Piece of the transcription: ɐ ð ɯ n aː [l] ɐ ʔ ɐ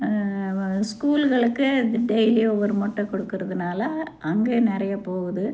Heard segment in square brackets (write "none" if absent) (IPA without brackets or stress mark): l